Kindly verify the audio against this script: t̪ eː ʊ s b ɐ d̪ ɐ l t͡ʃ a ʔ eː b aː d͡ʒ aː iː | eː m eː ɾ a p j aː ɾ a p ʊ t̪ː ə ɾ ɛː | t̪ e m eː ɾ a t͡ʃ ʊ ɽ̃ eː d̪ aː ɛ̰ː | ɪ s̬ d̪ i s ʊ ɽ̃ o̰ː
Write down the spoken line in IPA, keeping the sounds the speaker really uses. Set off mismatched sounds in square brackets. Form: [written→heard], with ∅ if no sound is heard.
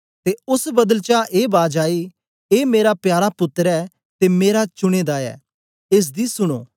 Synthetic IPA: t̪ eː ʊ s b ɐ d̪ [ɐ→ə] l t͡ʃ a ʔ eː b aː d͡ʒ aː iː | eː m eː ɾ a p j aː ɾ a p ʊ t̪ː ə ɾ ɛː | t̪ e m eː ɾ a t͡ʃ ʊ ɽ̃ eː d̪ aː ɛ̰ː | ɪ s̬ d̪ i s ʊ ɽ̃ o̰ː